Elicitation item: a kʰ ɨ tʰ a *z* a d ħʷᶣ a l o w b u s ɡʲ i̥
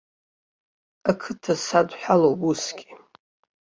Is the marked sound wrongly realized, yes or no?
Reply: yes